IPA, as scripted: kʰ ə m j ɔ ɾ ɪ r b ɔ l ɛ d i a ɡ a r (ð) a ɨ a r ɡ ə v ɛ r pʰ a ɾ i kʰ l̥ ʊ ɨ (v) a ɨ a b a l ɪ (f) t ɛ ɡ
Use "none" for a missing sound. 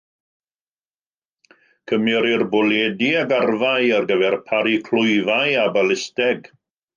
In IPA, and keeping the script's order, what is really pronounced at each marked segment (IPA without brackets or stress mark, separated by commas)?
v, v, s